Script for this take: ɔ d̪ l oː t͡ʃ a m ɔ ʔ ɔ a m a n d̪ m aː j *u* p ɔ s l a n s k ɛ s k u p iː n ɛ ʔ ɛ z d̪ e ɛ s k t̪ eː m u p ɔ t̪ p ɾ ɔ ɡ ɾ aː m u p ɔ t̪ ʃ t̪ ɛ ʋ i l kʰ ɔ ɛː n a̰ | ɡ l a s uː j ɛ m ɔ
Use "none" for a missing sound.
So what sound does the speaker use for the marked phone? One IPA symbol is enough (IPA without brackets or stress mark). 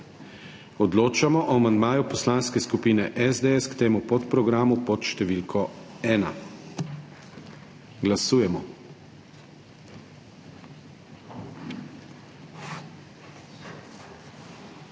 u